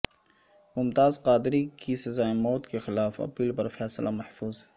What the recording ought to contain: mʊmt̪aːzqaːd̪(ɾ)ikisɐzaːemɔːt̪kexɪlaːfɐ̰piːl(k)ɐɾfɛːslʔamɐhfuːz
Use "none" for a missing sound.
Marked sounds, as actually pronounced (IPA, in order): ɾ, p

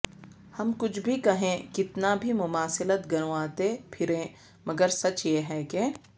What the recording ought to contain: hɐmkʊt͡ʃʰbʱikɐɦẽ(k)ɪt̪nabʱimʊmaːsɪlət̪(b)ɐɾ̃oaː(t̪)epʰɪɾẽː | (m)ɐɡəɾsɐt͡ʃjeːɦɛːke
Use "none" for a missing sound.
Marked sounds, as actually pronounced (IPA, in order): k, ɡ, t̪, m

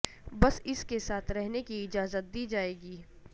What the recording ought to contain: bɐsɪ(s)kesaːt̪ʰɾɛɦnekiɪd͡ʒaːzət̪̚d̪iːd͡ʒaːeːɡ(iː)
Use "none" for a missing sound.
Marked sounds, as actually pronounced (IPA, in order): s, iː

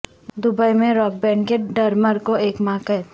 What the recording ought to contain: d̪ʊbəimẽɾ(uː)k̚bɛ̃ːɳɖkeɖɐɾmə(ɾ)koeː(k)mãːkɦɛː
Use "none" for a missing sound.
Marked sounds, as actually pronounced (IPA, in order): ɔː, ɾ, k

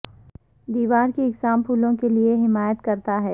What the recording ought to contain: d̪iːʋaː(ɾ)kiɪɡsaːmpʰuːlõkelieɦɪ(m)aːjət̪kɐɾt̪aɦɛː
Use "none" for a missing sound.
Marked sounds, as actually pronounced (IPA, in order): ɾ, m

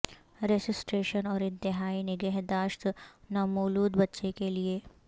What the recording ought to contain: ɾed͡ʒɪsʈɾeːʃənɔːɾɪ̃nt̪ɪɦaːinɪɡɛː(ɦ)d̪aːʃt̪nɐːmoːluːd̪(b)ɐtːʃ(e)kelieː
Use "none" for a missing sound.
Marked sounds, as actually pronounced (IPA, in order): ɦ, b, e

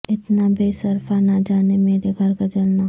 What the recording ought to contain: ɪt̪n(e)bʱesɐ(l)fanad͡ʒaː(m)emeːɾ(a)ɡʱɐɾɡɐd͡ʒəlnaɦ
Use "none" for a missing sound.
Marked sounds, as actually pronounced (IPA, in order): a, ɾ, n, e

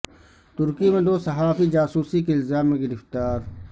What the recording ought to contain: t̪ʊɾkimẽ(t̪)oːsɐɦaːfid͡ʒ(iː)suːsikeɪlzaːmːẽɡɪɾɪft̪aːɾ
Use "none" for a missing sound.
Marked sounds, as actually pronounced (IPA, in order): d̪, aː

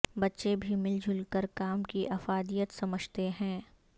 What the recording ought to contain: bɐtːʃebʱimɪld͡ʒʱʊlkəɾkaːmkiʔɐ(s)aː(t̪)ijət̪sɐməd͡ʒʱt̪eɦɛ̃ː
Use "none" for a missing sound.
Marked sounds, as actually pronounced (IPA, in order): f, d̪

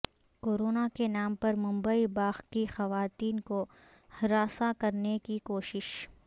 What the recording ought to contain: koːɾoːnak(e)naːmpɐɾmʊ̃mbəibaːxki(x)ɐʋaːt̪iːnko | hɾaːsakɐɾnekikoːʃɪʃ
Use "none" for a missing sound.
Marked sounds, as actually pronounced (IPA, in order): e, x

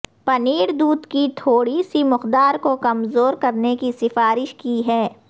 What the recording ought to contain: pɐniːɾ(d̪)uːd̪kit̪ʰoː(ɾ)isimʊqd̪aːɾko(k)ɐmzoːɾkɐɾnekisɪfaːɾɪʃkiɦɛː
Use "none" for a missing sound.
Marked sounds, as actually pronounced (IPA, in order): d̪, ɽ, k

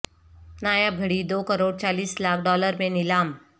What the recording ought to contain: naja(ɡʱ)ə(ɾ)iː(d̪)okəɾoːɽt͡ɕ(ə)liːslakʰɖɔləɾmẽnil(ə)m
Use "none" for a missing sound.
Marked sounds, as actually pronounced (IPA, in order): ɡʱ, ɽ, d̪, a, a

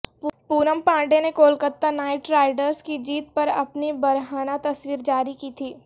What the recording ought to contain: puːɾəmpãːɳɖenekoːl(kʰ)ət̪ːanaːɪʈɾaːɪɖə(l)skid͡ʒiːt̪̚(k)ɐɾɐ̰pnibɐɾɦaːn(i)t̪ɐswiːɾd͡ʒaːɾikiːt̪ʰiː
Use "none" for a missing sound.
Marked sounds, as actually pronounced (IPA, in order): k, ɾ, p, a

